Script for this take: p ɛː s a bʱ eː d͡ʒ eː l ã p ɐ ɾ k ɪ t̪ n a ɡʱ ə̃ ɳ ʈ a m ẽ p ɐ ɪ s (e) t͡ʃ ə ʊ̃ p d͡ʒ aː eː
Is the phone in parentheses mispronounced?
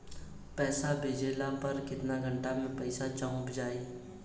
yes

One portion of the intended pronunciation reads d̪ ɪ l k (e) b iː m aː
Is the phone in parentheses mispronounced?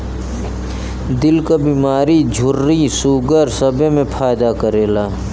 yes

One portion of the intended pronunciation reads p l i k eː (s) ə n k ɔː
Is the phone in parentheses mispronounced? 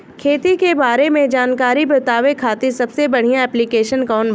yes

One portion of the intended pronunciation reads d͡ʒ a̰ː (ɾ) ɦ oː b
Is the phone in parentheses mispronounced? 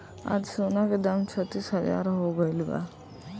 no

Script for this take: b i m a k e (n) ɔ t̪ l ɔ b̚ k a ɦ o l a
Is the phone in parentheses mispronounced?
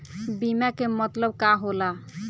yes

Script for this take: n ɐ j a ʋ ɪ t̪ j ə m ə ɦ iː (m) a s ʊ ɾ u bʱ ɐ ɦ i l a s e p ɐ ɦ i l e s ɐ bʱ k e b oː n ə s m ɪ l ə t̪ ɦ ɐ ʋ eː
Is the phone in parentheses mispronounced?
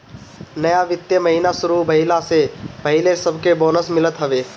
yes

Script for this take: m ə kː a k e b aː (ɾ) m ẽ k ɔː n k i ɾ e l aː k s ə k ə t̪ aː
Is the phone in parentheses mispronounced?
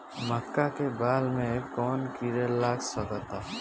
yes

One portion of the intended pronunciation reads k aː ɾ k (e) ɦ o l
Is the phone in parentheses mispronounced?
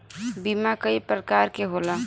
no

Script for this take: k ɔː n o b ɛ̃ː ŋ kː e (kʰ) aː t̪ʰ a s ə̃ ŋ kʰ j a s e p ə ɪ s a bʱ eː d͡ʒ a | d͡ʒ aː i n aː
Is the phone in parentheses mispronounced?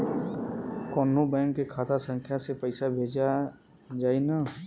no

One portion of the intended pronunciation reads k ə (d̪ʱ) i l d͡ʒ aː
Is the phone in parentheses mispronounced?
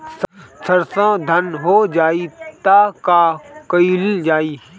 yes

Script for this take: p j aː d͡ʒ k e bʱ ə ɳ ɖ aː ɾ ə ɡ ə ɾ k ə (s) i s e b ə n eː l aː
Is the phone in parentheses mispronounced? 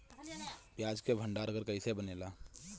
yes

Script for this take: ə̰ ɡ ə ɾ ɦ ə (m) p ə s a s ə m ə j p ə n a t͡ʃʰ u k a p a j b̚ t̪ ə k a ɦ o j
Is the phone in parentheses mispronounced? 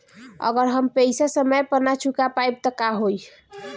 no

